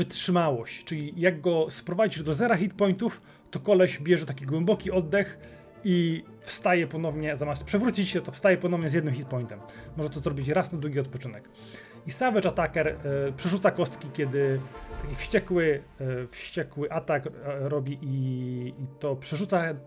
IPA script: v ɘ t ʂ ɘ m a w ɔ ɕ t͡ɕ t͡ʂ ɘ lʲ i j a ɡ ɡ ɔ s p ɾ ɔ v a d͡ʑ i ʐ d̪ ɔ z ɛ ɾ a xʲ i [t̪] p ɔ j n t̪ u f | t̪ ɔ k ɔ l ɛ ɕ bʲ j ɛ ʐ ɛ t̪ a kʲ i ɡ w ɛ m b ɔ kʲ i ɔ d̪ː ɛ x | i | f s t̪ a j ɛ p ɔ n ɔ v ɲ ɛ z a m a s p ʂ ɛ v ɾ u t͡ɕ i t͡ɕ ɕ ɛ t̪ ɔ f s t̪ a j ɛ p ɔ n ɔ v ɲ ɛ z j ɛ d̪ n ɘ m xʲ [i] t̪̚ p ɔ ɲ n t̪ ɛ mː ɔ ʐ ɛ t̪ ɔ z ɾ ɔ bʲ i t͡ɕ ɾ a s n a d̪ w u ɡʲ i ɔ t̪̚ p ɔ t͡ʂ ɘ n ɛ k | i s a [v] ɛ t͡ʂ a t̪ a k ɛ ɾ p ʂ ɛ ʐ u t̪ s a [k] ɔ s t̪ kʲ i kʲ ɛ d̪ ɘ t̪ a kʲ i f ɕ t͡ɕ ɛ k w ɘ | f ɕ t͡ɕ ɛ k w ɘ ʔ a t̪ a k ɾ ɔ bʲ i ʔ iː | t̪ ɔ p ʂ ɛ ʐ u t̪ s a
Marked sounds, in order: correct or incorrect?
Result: correct, correct, correct, correct

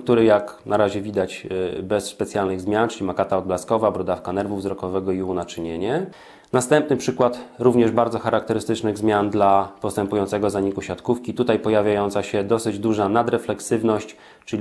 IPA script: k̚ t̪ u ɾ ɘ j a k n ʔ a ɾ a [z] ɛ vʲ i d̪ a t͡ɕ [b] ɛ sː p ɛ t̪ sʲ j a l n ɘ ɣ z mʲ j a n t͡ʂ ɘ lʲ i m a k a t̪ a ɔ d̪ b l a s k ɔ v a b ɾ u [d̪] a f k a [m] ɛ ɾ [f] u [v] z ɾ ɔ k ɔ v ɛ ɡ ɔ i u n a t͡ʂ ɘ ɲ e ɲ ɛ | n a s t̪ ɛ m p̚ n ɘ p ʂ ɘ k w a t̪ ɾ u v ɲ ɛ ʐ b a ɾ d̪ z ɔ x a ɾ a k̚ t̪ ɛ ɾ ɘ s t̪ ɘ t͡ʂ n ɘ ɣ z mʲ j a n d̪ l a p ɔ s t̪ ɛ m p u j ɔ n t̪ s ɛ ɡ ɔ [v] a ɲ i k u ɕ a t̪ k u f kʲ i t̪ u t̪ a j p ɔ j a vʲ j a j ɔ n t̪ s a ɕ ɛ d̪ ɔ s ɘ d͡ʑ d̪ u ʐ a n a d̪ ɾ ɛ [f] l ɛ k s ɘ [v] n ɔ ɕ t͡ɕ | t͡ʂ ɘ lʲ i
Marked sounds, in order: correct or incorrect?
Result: incorrect, correct, correct, incorrect, incorrect, correct, incorrect, correct, correct

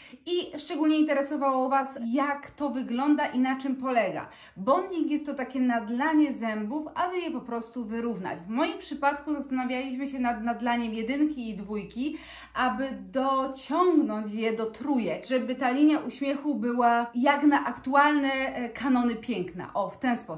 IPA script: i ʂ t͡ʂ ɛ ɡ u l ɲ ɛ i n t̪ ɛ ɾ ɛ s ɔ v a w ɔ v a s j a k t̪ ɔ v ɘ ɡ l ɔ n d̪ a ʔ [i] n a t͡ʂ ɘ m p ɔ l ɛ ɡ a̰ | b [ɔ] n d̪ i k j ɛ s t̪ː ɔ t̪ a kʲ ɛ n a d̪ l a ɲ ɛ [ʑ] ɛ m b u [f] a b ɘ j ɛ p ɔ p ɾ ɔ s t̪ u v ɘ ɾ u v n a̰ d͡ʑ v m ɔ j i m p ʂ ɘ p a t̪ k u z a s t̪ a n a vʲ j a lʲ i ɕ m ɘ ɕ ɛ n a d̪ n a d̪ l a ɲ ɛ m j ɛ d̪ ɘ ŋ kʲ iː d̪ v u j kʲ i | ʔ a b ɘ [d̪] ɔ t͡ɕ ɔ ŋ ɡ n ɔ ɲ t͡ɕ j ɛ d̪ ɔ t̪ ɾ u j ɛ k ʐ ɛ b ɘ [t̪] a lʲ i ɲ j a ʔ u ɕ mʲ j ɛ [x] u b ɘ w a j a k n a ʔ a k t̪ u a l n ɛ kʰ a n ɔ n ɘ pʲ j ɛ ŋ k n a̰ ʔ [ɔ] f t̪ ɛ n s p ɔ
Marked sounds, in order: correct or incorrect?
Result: correct, correct, incorrect, correct, correct, correct, correct, correct

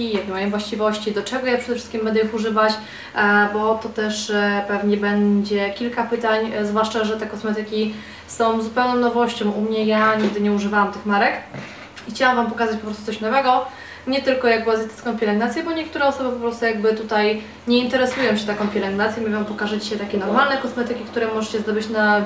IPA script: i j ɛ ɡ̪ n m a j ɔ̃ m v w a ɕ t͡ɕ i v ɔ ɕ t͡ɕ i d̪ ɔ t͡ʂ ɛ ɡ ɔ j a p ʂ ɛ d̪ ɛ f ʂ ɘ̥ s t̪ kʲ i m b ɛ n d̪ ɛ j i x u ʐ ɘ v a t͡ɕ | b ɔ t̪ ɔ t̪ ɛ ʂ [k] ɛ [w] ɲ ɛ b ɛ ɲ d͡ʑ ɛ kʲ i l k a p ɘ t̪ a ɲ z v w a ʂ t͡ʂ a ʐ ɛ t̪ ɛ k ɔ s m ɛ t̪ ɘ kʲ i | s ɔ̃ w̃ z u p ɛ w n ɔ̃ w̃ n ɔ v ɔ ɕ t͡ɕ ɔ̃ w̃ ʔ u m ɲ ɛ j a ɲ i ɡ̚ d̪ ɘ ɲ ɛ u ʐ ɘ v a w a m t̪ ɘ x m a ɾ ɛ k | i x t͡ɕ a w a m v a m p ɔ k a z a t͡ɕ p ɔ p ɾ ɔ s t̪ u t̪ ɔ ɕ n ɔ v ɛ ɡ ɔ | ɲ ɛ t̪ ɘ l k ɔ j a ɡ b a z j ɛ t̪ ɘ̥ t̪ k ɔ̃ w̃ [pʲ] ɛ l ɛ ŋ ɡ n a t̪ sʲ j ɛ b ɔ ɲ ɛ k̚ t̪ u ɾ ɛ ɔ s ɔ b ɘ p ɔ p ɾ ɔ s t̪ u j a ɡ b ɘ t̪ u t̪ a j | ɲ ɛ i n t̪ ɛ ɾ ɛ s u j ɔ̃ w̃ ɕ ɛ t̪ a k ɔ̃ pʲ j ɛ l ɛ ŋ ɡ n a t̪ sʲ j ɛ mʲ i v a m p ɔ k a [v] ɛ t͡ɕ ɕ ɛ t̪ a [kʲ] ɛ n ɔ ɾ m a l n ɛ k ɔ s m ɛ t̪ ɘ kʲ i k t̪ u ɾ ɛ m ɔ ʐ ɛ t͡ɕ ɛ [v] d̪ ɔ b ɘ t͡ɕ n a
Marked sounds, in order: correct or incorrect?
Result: incorrect, incorrect, correct, incorrect, correct, incorrect

